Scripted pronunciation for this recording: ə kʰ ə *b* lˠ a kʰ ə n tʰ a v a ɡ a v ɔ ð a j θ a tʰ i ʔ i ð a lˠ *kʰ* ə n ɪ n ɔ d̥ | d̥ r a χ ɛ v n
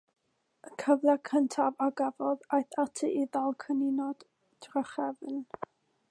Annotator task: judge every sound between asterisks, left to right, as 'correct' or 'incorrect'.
incorrect: v, correct

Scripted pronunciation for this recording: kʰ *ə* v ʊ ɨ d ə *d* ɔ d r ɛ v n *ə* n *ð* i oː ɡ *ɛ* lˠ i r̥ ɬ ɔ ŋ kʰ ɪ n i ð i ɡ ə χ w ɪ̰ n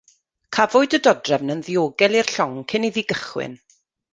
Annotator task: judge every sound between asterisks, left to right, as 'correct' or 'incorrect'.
incorrect: a, correct, correct, correct, correct

